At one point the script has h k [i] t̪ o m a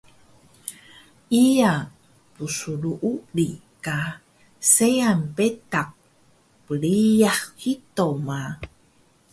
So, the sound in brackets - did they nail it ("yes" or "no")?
yes